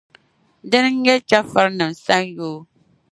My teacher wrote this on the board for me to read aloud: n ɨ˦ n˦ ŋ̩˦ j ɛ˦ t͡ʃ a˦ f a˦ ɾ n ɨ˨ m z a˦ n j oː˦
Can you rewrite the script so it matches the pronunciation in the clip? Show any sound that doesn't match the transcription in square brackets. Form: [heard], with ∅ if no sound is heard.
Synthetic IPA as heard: [d] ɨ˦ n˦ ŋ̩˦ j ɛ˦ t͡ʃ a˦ f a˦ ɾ n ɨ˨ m [s] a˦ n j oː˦